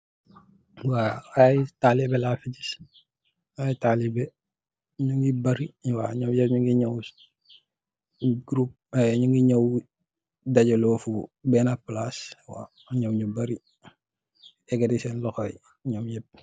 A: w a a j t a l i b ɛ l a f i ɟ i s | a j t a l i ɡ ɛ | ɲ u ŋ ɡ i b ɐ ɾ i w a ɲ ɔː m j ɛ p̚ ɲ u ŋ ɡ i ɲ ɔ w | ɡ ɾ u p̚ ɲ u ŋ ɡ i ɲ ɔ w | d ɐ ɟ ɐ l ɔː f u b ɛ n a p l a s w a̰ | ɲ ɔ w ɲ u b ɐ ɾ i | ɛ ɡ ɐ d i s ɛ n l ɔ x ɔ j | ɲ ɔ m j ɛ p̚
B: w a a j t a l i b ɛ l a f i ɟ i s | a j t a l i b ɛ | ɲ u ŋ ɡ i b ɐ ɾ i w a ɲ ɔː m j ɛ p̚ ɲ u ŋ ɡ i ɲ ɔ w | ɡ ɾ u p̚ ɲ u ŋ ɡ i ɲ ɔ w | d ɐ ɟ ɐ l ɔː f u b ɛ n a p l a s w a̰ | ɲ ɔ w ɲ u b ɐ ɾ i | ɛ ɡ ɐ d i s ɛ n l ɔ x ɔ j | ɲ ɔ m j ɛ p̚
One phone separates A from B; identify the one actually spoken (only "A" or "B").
B